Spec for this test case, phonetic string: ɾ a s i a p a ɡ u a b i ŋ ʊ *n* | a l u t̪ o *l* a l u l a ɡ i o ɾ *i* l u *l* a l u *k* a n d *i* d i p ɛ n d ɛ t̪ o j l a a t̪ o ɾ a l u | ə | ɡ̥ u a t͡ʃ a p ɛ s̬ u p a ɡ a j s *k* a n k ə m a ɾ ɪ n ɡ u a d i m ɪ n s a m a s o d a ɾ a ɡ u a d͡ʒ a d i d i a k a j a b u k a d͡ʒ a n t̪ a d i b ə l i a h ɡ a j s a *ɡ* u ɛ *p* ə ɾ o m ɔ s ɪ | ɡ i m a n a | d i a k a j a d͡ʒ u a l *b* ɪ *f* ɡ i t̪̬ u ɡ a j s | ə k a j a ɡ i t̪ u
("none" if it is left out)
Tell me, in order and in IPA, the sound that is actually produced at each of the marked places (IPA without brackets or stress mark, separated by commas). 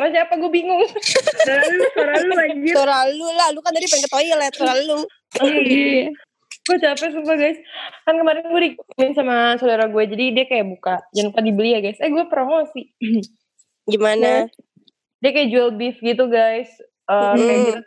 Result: ŋ, ɾ, a, l, k, a, k, ɡ, p, b, f